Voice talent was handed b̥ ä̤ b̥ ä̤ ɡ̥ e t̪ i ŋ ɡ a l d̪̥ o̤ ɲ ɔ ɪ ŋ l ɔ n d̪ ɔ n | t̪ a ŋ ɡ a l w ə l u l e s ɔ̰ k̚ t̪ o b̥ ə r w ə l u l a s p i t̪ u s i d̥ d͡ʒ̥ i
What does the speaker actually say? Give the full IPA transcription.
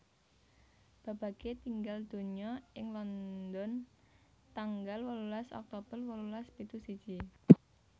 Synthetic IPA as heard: b̥ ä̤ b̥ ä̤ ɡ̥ e t̪ i ŋ ɡ a l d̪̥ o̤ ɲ ɔ ɪ ŋ l ɔ n d̪ ɔ n | t̪ a ŋ ɡ a l w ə l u l a s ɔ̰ k̚ t̪ o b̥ ə r w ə l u l a s p i t̪ u s i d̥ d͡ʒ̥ i